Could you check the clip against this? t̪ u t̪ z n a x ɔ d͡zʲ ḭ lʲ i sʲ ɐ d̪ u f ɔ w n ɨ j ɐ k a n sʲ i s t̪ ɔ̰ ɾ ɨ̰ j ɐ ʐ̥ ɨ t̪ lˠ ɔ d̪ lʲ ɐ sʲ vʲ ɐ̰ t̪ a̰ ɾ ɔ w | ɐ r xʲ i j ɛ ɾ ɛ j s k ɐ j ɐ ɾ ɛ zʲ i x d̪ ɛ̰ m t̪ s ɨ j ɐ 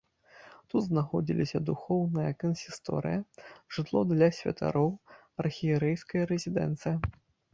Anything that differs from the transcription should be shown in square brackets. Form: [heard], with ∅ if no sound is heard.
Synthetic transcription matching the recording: t̪ u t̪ z n a x ɔ d͡zʲ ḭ lʲ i sʲ ɐ d̪ u [x] ɔ w n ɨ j ɐ k [ɐ] n sʲ i s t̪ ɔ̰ ɾ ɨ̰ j ɐ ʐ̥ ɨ t̪ lˠ ɔ d̪ lʲ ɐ sʲ vʲ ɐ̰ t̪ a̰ ɾ ɔ w | ɐ r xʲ i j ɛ ɾ ɛ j s k ɐ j ɐ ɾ ɛ zʲ i [∅] d̪ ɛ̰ [n] t̪ s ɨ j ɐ